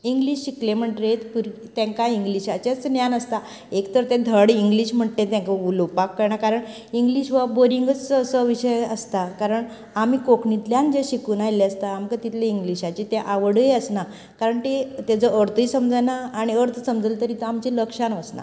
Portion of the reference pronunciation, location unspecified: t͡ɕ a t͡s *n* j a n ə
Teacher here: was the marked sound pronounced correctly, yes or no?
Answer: yes